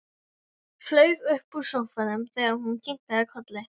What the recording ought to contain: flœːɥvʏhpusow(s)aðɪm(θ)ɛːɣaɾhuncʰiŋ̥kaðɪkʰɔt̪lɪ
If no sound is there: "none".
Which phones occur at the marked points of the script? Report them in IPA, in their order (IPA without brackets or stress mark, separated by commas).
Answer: f, θ